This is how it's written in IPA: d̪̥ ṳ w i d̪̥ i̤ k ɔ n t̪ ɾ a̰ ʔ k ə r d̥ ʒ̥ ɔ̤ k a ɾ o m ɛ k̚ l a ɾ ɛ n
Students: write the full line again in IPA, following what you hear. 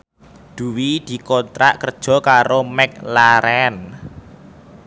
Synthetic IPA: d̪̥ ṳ w i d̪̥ i̤ k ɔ n t̪ ɾ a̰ ʔ k ə r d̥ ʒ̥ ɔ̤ k a ɾ o m ɛ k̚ l a ɾ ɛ n